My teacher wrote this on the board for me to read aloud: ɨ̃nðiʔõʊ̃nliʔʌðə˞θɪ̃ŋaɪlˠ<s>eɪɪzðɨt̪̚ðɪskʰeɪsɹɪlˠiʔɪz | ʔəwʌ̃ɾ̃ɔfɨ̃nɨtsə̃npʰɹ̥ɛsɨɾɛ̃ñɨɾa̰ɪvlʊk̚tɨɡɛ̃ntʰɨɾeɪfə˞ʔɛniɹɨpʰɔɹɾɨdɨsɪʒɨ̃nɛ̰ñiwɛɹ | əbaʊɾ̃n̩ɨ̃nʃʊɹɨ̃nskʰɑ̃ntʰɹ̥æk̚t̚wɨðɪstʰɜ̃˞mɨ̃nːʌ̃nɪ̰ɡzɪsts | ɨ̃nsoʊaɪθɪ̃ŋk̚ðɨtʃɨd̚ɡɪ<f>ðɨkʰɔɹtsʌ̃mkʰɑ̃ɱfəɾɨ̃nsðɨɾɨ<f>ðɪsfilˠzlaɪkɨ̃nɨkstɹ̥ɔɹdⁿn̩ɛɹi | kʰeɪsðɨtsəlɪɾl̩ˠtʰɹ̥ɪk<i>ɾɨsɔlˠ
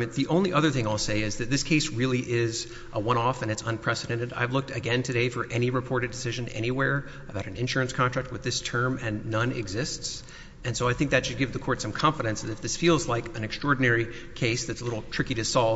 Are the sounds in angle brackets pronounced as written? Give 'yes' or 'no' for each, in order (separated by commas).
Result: yes, no, yes, yes